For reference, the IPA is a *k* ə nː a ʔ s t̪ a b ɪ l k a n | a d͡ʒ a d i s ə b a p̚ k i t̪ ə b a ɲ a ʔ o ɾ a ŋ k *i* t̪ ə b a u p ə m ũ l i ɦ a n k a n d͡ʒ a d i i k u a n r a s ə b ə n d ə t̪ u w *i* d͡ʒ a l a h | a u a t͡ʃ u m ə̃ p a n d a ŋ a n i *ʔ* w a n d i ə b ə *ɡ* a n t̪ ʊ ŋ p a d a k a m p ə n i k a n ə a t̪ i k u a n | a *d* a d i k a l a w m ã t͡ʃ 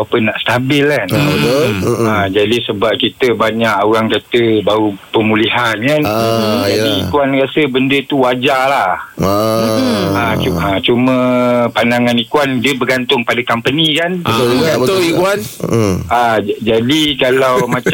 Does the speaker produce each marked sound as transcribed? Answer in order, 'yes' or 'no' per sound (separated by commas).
no, no, no, no, yes, no